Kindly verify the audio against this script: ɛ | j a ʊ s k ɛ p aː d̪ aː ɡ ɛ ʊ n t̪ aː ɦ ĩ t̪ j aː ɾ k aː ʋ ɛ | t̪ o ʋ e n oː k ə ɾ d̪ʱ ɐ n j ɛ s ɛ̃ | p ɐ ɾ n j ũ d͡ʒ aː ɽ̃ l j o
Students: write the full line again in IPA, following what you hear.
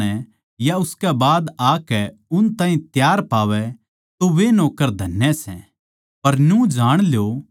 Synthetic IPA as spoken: ɛ | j a ʊ s k ɛ b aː d̪ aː k ɛ ʊ n t̪ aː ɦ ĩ t̪ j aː ɾ p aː ʋ ɛ | t̪ o ʋ e n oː k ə ɾ d̪ʱ ɐ n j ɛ s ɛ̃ | p ɐ ɾ n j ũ d͡ʒ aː ɽ̃ l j o